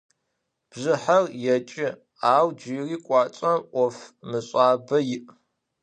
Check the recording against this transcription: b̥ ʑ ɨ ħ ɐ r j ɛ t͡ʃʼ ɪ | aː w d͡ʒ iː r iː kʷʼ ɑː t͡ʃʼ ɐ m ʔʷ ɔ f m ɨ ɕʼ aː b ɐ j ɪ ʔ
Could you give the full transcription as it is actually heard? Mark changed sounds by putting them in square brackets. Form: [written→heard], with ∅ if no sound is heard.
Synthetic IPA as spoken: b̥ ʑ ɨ ħ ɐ r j ɛ t͡ʃʼ ɪ | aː w d͡ʒ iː r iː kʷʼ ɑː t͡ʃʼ ɐ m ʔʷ ɔ f m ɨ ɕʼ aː b ɐ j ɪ ʔ